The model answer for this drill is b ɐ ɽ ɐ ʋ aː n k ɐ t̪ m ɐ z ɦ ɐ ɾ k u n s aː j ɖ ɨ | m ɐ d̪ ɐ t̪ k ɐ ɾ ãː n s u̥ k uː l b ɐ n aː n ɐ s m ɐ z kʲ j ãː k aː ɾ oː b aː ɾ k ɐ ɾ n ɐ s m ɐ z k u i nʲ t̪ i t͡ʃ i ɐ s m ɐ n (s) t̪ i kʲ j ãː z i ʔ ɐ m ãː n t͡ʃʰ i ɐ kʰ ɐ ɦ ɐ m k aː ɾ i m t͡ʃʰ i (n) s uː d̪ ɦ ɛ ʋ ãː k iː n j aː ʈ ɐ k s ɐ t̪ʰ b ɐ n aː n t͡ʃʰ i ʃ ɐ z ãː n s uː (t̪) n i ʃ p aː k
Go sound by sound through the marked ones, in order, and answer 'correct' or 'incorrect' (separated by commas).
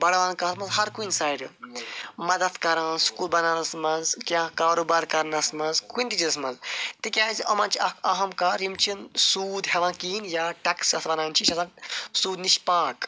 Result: incorrect, correct, incorrect